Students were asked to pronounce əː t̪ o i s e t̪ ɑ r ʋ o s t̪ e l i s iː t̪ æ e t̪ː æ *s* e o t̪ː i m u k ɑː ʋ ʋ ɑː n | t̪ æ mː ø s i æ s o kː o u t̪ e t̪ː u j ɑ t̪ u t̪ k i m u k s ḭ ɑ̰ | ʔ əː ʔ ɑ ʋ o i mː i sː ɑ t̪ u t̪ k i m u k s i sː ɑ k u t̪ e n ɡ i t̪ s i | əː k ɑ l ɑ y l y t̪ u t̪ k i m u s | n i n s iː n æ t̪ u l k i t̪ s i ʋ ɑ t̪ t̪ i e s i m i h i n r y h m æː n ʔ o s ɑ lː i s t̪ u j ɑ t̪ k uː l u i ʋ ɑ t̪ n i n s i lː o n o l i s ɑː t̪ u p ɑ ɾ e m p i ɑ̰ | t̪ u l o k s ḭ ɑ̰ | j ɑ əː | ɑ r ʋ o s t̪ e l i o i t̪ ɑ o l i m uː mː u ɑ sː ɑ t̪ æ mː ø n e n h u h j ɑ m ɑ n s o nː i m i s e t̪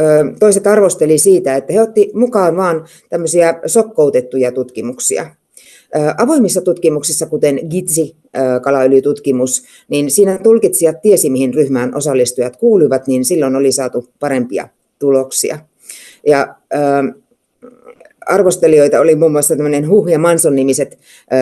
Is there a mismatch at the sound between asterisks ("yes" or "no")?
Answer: yes